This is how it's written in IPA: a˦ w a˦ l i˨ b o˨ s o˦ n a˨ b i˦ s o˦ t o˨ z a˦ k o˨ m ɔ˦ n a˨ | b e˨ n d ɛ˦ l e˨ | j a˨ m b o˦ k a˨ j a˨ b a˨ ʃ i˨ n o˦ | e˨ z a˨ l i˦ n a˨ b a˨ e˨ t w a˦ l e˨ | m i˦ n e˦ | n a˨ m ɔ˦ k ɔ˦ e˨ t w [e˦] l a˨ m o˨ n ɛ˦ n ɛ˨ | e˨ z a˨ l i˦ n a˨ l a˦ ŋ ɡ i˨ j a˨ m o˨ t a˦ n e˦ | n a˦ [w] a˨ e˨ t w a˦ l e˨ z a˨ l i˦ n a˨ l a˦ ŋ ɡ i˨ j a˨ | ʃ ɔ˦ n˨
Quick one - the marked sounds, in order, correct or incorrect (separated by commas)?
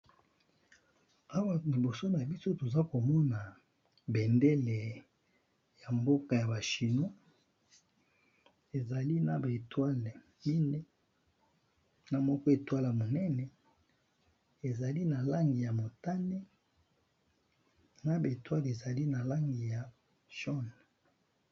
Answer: incorrect, incorrect